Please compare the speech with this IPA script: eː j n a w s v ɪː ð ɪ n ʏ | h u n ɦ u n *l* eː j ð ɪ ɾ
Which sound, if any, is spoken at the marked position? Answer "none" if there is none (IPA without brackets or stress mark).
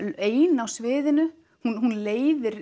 l